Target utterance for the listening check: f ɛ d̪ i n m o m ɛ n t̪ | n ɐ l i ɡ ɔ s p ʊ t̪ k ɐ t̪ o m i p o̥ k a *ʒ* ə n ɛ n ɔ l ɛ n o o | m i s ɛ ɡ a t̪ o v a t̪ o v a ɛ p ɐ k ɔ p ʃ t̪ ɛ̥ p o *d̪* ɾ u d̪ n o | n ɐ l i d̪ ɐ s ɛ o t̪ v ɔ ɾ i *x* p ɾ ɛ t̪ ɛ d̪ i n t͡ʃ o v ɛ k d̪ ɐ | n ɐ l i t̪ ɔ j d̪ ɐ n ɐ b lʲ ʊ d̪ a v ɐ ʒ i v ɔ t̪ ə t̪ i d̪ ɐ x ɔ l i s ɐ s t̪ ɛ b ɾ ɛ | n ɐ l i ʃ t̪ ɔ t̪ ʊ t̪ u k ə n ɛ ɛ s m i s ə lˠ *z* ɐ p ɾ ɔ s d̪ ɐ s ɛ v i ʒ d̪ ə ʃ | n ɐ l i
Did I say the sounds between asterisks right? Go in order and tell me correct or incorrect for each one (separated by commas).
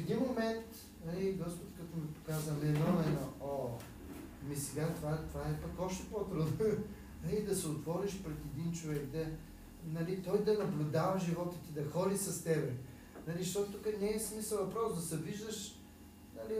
incorrect, incorrect, incorrect, incorrect